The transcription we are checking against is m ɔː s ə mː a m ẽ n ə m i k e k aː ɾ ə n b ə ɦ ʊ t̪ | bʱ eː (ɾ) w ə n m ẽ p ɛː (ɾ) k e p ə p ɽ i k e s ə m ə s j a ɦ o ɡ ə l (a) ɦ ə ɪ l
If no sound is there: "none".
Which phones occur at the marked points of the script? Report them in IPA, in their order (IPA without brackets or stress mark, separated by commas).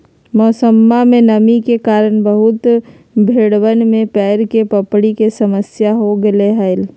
ɽ, ɾ, e